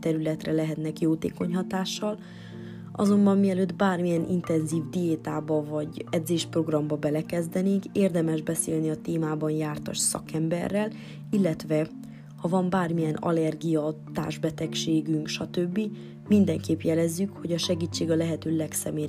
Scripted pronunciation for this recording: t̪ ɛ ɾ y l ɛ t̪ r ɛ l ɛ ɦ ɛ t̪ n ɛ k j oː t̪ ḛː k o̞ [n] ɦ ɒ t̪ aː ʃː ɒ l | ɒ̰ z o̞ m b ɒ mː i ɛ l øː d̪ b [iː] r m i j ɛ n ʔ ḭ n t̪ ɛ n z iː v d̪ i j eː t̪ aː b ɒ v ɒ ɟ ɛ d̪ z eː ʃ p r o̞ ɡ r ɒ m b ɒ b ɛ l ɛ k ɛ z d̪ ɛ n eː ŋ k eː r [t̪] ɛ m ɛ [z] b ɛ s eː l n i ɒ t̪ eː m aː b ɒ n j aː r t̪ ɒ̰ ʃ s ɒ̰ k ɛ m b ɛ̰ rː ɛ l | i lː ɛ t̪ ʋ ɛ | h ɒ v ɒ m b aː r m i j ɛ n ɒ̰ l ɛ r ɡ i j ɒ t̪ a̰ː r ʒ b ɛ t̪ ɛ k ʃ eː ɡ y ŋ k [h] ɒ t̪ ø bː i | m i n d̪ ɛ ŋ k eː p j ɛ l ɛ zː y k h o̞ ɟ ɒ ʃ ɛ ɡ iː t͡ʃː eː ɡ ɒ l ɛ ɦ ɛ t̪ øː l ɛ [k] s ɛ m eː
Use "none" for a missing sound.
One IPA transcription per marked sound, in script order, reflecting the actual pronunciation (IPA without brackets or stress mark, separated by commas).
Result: ɲ, aː, d̪, ʒ, ʃ, k